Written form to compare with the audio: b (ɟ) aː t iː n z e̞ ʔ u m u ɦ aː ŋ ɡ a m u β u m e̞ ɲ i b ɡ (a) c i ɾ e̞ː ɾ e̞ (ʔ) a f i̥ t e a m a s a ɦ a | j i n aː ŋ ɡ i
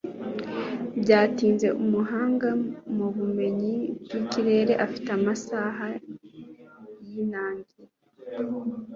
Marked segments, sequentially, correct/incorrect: correct, incorrect, correct

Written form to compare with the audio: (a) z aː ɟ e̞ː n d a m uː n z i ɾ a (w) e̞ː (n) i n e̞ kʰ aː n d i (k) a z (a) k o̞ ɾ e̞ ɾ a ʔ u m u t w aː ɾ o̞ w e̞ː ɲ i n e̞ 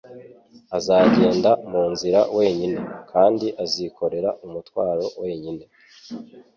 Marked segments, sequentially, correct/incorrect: correct, correct, incorrect, incorrect, incorrect

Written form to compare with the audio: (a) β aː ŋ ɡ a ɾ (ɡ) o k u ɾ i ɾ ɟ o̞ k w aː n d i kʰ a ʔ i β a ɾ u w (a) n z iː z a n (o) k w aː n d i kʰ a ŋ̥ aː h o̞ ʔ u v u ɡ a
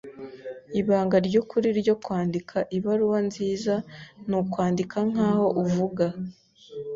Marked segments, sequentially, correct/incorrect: incorrect, incorrect, correct, incorrect

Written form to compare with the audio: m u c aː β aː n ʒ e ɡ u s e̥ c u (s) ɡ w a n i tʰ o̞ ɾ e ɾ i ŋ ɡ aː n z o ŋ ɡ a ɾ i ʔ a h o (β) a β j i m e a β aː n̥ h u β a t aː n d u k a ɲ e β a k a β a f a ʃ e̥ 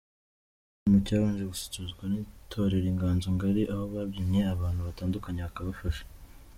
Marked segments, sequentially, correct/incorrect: incorrect, correct

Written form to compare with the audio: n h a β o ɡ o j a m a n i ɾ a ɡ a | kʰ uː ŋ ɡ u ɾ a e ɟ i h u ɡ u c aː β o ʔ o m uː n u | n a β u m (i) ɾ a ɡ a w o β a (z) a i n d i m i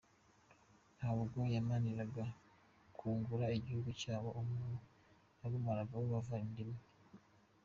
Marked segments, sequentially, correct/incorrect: incorrect, incorrect

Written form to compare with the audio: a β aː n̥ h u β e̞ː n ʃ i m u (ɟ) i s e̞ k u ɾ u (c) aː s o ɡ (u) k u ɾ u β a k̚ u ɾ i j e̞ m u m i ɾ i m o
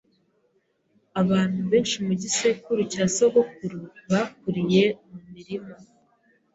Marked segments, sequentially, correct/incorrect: correct, correct, incorrect

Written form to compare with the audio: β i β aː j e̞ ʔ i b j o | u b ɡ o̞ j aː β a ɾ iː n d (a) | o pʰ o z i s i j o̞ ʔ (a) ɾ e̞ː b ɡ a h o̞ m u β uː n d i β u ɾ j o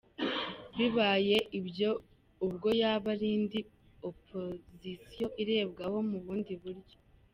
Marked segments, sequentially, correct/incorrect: incorrect, incorrect

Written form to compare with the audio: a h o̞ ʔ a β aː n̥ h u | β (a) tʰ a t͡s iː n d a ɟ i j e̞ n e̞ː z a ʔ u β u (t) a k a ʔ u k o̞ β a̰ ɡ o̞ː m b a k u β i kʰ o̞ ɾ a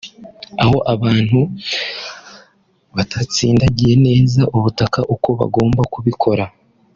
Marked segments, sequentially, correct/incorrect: correct, correct

